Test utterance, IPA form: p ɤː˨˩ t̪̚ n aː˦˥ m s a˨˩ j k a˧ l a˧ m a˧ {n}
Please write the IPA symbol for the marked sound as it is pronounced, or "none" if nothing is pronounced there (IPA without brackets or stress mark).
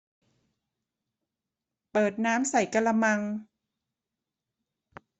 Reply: ŋ